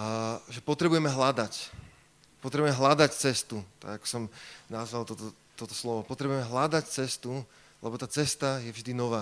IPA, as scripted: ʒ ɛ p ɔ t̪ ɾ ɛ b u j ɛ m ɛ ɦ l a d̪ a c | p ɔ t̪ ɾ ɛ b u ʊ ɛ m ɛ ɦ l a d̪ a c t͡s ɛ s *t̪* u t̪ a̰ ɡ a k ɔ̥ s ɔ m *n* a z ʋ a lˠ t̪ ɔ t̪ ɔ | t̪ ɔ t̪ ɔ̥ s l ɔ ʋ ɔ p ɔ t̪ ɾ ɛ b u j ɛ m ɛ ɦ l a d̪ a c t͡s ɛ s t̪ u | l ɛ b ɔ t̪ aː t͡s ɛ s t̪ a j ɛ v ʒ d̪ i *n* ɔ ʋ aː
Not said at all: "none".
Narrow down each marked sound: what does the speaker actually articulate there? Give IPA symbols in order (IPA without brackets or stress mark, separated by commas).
t̪, n, n